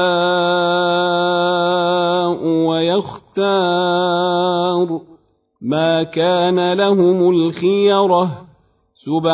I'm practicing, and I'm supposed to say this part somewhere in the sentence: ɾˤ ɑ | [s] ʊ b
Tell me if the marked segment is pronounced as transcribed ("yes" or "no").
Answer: yes